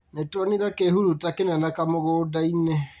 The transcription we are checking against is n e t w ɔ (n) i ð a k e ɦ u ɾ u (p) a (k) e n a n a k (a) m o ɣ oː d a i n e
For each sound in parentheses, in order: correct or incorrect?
correct, incorrect, correct, correct

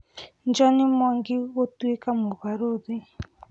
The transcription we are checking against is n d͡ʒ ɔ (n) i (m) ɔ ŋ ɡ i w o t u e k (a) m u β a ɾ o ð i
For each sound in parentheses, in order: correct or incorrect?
correct, correct, correct

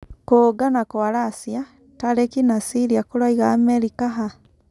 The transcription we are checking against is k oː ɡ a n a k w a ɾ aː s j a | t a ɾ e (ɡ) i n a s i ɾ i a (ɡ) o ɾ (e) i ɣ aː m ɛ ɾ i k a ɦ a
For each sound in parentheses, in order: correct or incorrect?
incorrect, incorrect, incorrect

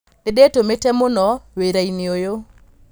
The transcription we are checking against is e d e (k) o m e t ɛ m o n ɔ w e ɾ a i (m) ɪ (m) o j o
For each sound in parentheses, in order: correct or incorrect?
incorrect, incorrect, incorrect

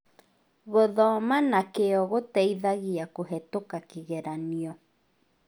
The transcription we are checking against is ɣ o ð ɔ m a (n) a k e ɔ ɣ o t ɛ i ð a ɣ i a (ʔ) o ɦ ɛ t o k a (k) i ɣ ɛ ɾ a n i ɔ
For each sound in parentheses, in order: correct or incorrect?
correct, incorrect, correct

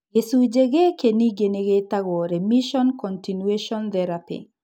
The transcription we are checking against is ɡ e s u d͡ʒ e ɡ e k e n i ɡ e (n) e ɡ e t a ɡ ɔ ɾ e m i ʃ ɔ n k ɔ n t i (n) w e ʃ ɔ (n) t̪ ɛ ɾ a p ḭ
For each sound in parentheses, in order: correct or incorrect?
correct, correct, correct

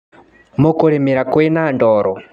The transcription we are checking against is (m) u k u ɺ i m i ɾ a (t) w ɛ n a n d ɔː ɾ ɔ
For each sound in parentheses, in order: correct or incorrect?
correct, incorrect

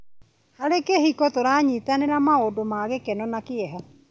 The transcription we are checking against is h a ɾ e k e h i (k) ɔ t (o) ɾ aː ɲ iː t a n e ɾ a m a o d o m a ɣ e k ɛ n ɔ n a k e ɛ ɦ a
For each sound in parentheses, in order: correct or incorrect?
correct, correct

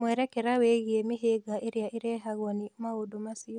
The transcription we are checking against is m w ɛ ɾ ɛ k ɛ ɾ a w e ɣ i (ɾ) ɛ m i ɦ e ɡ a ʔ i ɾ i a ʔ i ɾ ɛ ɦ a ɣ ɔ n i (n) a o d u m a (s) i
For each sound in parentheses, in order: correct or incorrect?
incorrect, incorrect, correct

